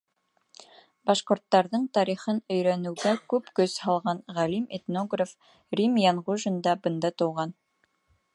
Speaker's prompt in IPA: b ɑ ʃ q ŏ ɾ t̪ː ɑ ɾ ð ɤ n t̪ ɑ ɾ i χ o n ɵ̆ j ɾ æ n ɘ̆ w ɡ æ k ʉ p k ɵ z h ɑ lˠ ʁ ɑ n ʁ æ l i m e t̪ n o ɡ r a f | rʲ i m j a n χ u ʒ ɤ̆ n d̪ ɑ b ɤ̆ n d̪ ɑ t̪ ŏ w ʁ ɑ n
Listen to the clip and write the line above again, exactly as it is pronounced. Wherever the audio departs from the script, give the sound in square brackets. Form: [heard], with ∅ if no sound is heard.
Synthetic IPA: b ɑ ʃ q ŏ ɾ t̪ː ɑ ɾ ð ɤ [ɴ] t̪ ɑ ɾ i χ [ɤ] n ɵ̆ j ɾ æ n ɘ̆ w ɡ æ k ʉ p k ɵ z h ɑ lˠ ʁ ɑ n ʁ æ l i m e t̪ n o ɡ r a f | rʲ i m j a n [ʁ] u ʒ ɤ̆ n d̪ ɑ b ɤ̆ n d̪ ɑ t̪ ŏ w ʁ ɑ n